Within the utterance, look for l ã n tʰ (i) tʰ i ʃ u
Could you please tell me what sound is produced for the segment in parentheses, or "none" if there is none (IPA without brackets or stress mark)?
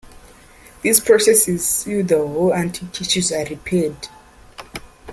i